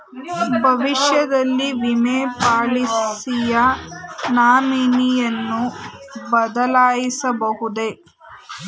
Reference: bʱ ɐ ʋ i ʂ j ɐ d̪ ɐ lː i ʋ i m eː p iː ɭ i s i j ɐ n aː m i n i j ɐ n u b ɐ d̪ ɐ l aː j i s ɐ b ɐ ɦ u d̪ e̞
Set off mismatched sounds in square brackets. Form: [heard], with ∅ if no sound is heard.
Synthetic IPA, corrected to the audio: bʱ ɐ ʋ i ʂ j ɐ d̪ ɐ lː i ʋ i m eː p [aː] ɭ i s i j ɐ n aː m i n i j ɐ [nː] u b ɐ d̪ ɐ l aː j i s ɐ b ɐ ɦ u d̪ e̞